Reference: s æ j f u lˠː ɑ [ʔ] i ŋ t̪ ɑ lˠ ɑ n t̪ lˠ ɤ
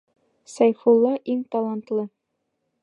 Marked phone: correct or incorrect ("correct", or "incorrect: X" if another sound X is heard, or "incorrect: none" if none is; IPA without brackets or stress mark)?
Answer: correct